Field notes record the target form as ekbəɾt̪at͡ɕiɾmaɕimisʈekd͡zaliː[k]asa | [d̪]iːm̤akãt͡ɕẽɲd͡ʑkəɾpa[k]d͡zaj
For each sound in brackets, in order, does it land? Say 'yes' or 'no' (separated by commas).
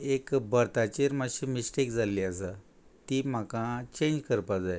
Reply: no, no, no